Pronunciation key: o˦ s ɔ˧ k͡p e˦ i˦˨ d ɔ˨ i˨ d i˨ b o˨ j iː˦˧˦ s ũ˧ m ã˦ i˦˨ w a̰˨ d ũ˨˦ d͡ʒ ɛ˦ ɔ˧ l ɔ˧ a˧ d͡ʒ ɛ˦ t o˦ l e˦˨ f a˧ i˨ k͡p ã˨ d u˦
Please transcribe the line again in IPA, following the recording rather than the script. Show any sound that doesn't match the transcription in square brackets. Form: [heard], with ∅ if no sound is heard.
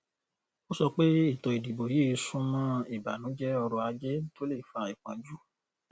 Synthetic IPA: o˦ s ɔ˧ k͡p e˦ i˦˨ [t] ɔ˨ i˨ d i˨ b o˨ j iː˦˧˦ s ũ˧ m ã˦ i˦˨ [b] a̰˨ [n] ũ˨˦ d͡ʒ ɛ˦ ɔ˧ [ɾ] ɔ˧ a˧ d͡ʒ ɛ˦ t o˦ l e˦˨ f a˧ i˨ k͡p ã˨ [d͡ʒ] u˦